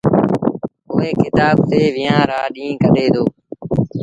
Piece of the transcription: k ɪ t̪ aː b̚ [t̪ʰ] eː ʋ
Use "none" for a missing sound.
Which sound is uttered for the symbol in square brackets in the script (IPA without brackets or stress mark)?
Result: t̪